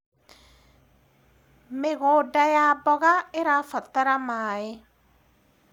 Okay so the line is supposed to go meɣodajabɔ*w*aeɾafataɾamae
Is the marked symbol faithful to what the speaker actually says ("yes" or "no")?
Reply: no